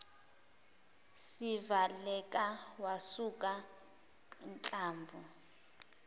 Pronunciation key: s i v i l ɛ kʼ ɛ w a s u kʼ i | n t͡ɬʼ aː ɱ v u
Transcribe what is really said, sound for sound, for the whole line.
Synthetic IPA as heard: s i v a l ɛ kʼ a w a s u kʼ a | n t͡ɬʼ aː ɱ v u